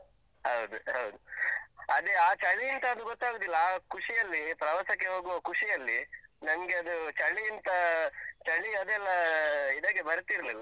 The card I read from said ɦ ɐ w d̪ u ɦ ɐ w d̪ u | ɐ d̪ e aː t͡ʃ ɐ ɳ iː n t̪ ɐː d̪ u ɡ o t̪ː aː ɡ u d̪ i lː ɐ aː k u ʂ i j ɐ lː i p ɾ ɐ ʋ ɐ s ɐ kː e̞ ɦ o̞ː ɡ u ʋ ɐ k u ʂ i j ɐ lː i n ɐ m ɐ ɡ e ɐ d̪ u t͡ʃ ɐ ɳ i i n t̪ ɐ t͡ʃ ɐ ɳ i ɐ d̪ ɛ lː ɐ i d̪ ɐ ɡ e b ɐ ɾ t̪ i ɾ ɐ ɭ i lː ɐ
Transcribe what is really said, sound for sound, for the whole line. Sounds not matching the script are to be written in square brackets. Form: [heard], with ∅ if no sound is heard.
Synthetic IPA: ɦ ɐ w d̪ u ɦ ɐ w d̪ u | ɐ d̪ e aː t͡ʃ ɐ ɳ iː n t̪ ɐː d̪ u ɡ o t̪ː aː ɡ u d̪ i lː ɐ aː k u ʂ i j ɐ lː i p ɾ ɐ ʋ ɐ s ɐ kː e̞ ɦ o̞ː ɡ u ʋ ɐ k u ʂ i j ɐ lː i n ɐ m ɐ ɡ e ɐ d̪ u t͡ʃ ɐ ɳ i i n t̪ ɐ t͡ʃ ɐ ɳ i ɐ d̪ ɛ lː ɐ i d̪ ɐ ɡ e b ɐ ɾ t̪ i ɾ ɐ [l] i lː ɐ